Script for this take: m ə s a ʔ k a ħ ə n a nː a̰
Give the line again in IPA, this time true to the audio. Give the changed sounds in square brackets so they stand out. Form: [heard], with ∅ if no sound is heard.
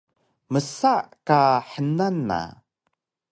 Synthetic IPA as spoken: m ə s a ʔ k a ħ ə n a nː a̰